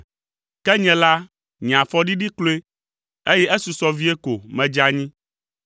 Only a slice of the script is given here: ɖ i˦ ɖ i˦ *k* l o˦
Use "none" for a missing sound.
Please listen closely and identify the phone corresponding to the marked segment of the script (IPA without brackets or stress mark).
k